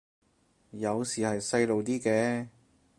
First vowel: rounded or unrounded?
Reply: unrounded